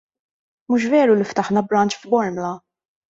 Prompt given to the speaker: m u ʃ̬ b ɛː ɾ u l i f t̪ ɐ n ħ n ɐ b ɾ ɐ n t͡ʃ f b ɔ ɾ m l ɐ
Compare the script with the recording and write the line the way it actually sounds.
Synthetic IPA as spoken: m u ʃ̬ v ɛː ɾ u l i f t̪ ɐ ħ n ɐ b ɾ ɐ n t͡ʃ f b ɔ ɾ m l ɐ